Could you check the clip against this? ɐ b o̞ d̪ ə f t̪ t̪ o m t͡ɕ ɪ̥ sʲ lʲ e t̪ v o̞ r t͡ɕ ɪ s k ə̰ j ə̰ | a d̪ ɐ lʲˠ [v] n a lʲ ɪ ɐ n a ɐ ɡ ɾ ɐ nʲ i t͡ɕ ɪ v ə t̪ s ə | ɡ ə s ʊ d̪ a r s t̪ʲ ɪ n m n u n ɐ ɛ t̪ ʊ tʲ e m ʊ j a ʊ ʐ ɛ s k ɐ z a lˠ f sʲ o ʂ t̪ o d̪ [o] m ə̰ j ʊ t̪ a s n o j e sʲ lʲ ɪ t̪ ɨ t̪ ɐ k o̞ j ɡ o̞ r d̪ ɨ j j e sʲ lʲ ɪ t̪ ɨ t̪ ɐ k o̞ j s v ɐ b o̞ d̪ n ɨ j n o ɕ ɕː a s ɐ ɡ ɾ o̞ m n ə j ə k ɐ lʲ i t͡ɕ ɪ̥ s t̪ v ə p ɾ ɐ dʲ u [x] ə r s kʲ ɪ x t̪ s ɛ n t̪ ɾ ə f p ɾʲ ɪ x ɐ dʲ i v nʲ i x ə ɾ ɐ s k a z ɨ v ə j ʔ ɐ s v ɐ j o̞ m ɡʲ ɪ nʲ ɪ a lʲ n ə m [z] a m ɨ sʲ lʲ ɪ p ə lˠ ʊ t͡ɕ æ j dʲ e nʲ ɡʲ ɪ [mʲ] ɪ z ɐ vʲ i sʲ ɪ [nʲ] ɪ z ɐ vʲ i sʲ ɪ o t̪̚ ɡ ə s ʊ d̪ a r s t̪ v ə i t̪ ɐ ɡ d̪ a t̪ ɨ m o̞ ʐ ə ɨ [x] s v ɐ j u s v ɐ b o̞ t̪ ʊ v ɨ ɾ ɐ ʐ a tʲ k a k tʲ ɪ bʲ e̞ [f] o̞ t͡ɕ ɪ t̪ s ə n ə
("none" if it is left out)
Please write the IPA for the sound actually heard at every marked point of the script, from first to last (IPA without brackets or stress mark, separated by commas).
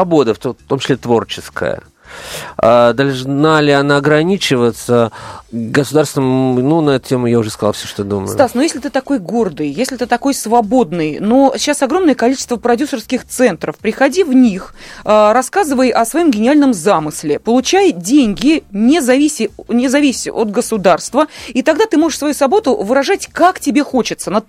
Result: ʐ, u, s, z, nʲ, nʲ, ʂ, x